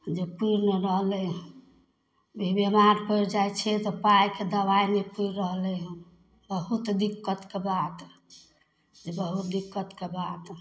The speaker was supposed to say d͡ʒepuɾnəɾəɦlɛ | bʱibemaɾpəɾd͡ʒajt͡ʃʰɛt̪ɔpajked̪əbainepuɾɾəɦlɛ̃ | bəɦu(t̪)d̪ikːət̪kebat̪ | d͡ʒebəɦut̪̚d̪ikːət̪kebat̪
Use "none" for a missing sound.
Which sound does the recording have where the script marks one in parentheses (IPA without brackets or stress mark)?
t̪